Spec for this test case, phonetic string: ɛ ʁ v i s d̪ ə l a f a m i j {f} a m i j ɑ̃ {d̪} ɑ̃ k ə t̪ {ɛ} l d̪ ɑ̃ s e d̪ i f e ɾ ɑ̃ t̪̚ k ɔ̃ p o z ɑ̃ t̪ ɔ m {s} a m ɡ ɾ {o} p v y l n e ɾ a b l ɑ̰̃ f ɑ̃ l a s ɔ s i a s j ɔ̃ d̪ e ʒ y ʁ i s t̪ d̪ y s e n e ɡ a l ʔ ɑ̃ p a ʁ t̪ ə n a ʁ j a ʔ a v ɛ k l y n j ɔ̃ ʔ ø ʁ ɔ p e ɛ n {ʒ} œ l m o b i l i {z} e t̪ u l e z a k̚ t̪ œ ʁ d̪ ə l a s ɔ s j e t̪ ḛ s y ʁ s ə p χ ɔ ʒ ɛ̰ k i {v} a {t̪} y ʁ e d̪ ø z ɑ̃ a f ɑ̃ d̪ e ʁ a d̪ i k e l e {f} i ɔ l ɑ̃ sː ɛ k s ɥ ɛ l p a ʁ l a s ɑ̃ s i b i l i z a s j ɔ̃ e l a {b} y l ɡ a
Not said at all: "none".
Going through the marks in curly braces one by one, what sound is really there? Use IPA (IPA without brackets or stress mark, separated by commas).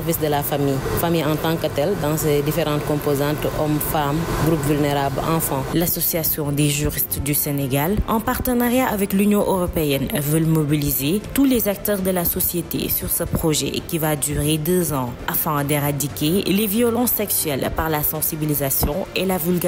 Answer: f, t̪, ɛ, f, u, v, z, v, d̪, v, v